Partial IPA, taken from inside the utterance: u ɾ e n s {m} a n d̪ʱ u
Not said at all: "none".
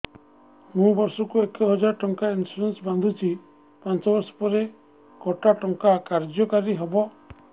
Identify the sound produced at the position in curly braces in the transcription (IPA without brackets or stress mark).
b